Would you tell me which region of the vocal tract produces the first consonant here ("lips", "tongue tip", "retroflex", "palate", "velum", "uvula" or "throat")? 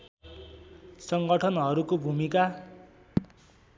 tongue tip